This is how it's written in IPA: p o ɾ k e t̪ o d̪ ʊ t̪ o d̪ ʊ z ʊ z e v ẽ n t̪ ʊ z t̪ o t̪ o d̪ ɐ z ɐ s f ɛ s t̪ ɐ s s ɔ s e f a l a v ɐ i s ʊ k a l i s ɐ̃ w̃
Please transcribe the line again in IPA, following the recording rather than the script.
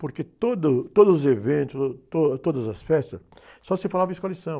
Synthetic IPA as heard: p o ɾ k e t̪ o d̪ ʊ t̪ o d̪ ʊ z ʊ z e v ẽ n t̪ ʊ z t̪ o t̪ o d̪ ɐ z ɐ s f ɛ s t̪ ɐ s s ɔ s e f a l a v ɐ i s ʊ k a l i s ɐ̃ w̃